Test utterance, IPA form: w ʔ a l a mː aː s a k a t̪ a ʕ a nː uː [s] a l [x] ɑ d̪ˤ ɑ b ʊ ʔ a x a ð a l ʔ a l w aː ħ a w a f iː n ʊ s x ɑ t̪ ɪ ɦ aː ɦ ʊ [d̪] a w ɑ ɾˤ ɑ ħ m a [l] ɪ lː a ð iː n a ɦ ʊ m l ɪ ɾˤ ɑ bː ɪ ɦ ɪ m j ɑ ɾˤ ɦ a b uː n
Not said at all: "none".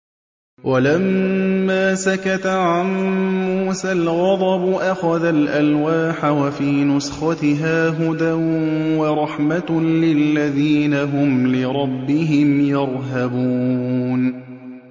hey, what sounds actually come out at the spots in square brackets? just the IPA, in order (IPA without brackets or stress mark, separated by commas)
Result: s, ɣ, d̪, l